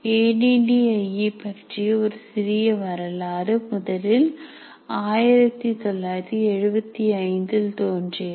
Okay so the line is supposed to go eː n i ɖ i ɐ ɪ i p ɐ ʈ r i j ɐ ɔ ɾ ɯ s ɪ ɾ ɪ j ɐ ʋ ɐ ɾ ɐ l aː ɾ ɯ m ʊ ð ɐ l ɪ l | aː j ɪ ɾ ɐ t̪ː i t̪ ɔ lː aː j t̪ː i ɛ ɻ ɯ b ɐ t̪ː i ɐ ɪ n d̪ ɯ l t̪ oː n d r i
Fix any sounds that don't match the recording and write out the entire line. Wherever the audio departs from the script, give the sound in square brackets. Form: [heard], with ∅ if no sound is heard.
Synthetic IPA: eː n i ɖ i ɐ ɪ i p ɐ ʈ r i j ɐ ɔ ɾ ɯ s ɪ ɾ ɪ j ɐ ʋ ɐ ɾ ɐ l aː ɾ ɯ m ʊ ð ɐ l ɪ l | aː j ɪ ɾ ɐ t̪ː i t̪ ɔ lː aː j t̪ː i ɛ ɻ ɯ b ɐ t̪ː i ɐ ɪ n d̪ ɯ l t̪ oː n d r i